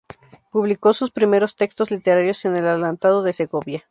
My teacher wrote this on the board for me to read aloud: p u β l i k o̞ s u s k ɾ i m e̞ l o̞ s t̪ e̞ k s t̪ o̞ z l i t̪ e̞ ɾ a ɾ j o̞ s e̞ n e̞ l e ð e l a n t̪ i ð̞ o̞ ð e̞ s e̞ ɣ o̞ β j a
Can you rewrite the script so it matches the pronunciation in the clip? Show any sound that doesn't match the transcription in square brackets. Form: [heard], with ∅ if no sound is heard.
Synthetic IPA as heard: p u β l i k o̞ s u s [p] ɾ i m e̞ [ɾ] o̞ s t̪ e̞ k s t̪ o̞ z l i t̪ e̞ ɾ a ɾ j o̞ s e̞ n e̞ l [a] ð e l a n t̪ [a] ð̞ o̞ ð e̞ s e̞ ɣ o̞ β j a